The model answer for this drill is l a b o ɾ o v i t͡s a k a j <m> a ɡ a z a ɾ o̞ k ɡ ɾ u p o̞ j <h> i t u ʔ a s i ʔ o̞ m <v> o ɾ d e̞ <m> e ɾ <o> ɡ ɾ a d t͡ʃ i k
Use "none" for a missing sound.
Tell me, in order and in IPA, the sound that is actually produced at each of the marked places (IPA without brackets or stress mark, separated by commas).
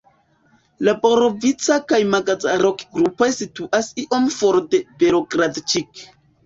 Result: m, s, f, b, o